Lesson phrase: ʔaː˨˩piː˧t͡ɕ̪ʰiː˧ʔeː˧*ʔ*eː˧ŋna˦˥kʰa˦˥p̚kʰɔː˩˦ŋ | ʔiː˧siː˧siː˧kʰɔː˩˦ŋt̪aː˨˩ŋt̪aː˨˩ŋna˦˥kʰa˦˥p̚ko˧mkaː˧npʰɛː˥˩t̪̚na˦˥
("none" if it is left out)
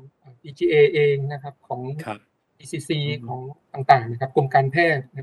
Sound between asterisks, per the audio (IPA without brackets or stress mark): ʔ